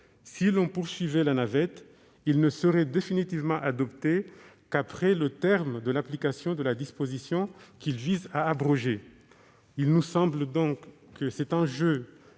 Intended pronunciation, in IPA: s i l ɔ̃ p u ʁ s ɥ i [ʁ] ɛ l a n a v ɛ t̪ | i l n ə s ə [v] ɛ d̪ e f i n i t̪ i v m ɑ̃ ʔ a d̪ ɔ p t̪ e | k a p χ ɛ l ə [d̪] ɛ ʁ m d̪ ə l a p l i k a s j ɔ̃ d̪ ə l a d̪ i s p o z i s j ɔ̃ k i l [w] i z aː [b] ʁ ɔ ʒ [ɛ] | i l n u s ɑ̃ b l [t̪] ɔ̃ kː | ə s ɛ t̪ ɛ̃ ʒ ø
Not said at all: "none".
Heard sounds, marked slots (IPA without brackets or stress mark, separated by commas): v, ʁ, t̪, v, b, e, d̪